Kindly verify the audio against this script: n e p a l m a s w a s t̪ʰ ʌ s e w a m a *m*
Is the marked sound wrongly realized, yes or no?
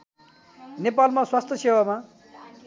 yes